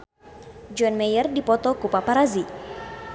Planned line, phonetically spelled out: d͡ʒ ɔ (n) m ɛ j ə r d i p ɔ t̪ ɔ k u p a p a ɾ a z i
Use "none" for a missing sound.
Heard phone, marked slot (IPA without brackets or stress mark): n